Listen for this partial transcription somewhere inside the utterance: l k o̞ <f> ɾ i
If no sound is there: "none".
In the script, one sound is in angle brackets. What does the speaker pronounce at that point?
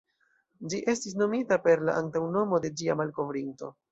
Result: v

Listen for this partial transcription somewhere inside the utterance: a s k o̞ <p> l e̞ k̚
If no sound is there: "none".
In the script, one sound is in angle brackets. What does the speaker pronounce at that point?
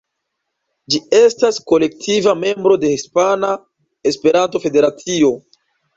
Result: none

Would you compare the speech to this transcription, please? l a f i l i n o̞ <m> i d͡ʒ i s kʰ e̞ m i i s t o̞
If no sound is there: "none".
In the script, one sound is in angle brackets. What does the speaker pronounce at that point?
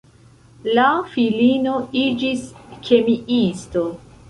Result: none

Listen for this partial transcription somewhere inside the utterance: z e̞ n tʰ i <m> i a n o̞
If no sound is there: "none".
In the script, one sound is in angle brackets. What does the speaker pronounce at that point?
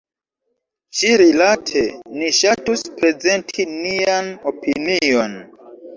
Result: n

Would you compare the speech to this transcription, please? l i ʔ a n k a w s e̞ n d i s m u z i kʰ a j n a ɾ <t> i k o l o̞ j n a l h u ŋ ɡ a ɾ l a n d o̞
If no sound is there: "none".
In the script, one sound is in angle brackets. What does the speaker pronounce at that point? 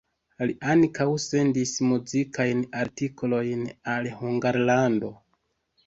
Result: t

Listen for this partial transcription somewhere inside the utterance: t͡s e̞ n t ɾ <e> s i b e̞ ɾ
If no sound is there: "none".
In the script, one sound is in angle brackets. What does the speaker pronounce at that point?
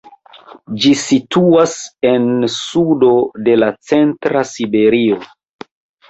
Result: a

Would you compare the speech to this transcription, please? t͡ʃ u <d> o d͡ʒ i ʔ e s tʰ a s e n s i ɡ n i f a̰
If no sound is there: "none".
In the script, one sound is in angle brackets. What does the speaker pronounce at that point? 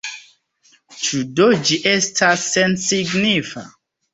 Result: d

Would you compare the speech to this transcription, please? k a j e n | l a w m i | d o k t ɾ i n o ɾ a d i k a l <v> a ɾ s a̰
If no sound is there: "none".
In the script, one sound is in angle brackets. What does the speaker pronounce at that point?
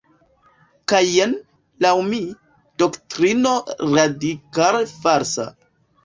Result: f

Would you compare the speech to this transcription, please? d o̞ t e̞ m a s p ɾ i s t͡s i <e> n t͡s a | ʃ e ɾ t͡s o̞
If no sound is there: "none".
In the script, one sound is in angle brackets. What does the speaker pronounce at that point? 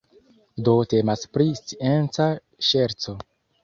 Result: e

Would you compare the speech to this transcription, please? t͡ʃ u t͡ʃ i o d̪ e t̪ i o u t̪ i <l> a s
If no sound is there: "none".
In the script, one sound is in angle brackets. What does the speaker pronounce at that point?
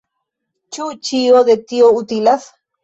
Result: l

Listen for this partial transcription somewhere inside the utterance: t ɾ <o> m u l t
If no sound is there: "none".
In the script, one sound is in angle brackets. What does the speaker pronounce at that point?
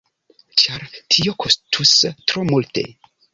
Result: o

